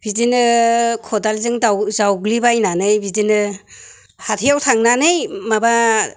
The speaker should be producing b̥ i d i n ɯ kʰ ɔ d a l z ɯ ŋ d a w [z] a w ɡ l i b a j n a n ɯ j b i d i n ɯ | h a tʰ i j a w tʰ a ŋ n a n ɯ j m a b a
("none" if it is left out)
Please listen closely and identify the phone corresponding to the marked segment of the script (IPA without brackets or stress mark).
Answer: z